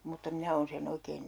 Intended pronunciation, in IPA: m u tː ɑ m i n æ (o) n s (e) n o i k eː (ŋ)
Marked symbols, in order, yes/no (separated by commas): no, yes, no